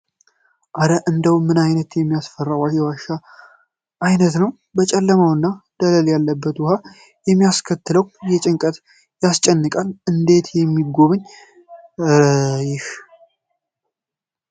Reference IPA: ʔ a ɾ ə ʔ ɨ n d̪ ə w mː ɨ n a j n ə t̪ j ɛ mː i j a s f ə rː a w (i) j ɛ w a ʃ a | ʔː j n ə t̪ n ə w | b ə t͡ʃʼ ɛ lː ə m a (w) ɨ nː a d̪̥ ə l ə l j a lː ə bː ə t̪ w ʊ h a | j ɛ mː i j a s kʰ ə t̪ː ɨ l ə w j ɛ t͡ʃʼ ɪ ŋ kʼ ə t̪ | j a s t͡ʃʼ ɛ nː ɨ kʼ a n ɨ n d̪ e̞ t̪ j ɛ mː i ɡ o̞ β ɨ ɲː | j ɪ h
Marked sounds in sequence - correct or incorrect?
incorrect: a, correct

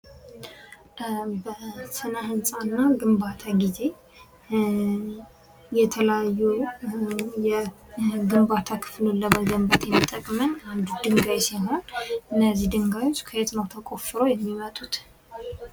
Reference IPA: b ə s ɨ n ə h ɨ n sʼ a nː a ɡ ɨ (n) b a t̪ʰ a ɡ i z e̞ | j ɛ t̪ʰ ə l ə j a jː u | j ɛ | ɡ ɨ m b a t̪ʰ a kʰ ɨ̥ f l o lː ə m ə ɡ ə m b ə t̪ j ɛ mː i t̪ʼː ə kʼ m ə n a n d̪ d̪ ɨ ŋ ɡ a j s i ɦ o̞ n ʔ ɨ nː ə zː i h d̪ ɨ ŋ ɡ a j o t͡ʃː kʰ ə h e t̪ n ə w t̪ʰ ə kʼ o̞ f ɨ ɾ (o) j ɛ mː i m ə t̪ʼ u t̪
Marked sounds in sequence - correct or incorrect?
incorrect: m, correct

